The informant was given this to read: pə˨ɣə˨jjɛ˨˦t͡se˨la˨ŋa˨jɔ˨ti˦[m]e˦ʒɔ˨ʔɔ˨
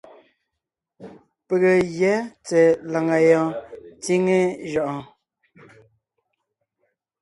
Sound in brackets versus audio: incorrect: ŋ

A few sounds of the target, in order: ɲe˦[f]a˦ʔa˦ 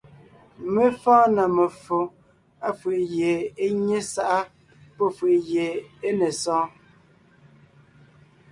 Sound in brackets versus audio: incorrect: s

